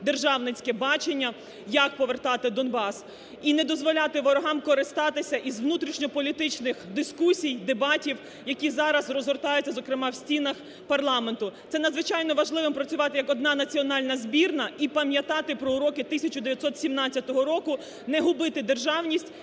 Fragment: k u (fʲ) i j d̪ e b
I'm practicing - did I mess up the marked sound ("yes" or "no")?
yes